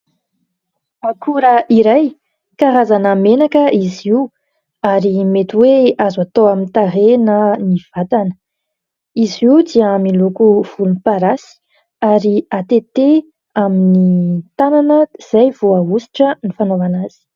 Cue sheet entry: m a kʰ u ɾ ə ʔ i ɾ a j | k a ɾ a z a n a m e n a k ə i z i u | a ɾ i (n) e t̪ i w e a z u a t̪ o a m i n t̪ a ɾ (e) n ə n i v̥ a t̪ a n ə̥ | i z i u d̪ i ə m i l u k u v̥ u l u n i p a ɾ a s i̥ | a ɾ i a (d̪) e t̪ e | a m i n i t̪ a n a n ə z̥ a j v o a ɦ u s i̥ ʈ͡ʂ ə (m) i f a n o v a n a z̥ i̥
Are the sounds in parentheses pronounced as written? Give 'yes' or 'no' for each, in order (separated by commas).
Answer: no, yes, no, no